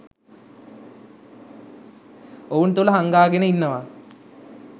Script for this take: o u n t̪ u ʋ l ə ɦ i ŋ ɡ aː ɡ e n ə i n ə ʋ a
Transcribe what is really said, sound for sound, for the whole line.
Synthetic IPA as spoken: o u n t̪ u l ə ɦ a ŋ ɡ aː ɡ e n ə i nː ə ʋ a